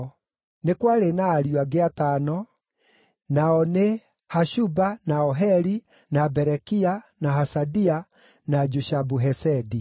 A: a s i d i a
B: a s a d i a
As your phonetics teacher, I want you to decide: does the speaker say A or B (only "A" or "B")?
B